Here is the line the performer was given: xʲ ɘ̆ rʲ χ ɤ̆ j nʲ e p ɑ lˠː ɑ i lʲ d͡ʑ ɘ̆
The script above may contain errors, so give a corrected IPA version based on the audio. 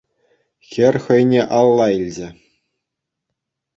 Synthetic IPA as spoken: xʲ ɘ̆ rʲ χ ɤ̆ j nʲ e ʔ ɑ lˠː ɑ i lʲ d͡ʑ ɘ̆